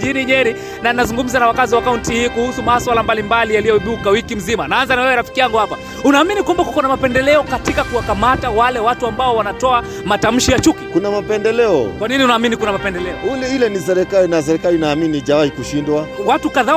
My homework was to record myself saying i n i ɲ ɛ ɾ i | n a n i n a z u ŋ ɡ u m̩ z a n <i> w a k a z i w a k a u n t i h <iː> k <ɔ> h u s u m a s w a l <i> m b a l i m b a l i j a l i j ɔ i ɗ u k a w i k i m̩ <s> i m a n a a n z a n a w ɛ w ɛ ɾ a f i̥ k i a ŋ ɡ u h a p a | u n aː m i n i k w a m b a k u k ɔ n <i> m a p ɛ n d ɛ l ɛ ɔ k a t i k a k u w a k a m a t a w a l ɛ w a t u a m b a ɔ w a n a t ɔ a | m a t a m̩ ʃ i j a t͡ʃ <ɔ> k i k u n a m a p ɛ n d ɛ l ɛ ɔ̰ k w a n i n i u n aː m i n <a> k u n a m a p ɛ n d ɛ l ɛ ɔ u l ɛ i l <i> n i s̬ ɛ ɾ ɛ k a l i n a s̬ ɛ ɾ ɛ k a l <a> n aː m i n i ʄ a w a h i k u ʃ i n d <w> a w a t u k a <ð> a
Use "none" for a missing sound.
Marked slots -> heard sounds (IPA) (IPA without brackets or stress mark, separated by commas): a, iː, u, a, z, a, u, i, ɛ, i, w, ð